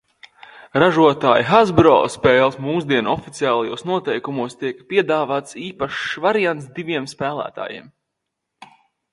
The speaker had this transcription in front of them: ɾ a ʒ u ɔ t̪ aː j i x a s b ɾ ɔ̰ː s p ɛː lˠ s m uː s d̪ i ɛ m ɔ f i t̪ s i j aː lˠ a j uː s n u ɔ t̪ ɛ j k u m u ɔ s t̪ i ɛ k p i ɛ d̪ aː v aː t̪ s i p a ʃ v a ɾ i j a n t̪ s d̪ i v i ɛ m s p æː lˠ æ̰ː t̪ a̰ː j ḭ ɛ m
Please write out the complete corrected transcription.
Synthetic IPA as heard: ɾ a ʒ u ɔ t̪ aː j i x a z b ɾ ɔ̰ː s p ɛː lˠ s m uː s d̪ i ɛ n ɔ f i t̪ s i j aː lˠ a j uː s n u ɔ t̪ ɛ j k u m u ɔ s t̪ i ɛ k p i ɛ d̪ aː v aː t̪ s iː p a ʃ v a ɾ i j a n t̪ s d̪ i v i ɛ m s p æː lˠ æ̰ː t̪ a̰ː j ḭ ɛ m